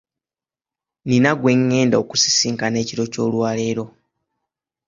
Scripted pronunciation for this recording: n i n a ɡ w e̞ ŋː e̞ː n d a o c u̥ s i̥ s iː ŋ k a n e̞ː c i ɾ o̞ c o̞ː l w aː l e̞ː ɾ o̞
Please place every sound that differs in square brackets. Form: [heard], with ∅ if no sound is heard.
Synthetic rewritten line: n i n a ɡ w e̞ ŋː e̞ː n d a o [k] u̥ s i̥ s iː ŋ k a n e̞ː c i ɾ o̞ c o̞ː l w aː l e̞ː ɾ o̞